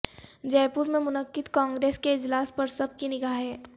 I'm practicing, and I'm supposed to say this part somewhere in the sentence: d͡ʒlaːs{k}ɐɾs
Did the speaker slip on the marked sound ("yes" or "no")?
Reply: yes